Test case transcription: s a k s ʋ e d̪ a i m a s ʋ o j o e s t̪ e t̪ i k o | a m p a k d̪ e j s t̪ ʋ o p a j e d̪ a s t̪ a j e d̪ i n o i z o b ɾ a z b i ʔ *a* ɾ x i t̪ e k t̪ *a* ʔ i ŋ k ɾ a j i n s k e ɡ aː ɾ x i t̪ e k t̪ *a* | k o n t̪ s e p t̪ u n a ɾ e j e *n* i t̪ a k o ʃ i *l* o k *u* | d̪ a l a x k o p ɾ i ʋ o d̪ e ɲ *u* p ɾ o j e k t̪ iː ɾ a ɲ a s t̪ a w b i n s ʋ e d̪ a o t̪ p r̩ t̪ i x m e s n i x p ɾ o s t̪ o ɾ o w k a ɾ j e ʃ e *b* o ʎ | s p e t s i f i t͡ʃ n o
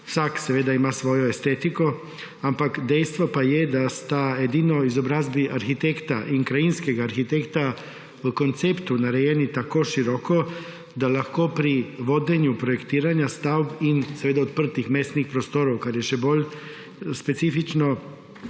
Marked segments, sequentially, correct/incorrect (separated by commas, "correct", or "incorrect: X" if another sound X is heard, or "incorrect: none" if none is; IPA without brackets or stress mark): correct, correct, correct, correct, incorrect: ɾ, incorrect: o, correct, correct